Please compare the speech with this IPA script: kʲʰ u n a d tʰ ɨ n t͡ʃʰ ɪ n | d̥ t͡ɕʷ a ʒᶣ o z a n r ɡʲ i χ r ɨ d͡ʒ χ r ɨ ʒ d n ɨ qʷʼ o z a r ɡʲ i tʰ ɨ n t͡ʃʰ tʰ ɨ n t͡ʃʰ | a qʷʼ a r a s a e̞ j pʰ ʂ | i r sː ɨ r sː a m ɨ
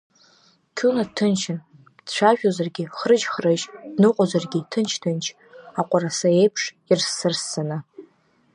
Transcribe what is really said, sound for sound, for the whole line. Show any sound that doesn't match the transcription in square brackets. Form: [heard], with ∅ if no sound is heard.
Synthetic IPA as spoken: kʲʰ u n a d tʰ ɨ n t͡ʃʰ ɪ n | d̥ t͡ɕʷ a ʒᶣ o z a [∅] r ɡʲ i χ r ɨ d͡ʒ χ r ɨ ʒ d n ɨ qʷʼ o z a r ɡʲ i tʰ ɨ n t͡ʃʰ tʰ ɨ n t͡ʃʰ | a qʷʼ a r a s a e̞ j pʰ ʂ | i r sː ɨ r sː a [n] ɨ